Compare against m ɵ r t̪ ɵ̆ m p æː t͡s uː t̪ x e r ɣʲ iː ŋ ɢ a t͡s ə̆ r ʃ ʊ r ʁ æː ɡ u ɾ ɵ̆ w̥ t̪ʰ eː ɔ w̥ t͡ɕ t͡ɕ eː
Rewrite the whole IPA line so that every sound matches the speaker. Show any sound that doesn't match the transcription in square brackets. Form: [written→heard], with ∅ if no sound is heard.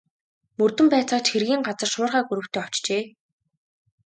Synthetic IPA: m ɵ r t̪ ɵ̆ m p æː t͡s [uː→ɔː] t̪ x e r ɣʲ iː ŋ ɢ a t͡s ə̆ r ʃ [ʊ→ʊː] r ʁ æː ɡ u ɾ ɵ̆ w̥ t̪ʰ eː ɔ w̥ t͡ɕ t͡ɕ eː

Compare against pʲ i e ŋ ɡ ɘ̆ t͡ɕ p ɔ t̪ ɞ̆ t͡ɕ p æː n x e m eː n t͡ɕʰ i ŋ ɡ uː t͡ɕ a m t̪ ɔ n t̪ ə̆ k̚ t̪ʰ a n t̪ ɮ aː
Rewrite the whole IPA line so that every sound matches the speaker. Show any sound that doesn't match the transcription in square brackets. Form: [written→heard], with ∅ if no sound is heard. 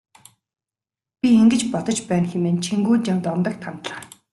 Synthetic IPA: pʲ i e ŋ ɡ ɘ̆ t͡ɕ p ɔ t̪ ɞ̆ t͡ɕ p æː n x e m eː n t͡ɕʰ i ŋ ɡ uː t͡ɕ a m t̪ ɔ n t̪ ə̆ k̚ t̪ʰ a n t̪ ɮ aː

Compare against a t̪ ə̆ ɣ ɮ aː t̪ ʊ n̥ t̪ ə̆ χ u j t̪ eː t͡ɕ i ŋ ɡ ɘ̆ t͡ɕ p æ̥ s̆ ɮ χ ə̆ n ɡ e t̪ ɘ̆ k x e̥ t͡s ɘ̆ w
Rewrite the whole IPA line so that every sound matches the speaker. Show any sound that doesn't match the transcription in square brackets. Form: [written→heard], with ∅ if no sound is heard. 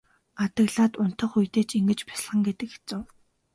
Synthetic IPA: a t̪ ə̆ ɣ ɮ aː t̪ ʊ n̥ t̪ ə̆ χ u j t̪ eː t͡ɕ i ŋ ɡ ɘ̆ t͡ɕ p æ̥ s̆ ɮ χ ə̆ [n→ŋ] ɡ e t̪ ɘ̆ k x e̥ t͡s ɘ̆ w

